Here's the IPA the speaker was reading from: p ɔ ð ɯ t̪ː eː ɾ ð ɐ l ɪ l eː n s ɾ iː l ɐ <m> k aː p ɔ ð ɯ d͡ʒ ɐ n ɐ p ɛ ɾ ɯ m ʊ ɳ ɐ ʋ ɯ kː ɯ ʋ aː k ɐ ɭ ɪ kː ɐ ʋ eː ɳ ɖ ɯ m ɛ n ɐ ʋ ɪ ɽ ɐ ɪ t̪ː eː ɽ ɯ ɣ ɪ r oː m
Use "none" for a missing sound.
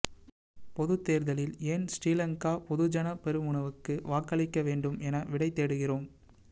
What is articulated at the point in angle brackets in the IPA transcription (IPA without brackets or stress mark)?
ŋ